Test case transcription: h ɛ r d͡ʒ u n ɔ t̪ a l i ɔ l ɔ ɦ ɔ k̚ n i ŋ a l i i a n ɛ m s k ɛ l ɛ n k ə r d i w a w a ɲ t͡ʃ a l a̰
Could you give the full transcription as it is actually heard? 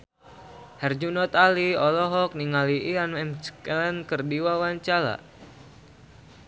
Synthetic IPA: h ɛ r d͡ʒ u n ɔ t̪ a l i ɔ l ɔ ɦ ɔ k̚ n i ŋ a l i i a n ɛ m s k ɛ l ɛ n k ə r d i w a w a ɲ t͡ʃ a l a̰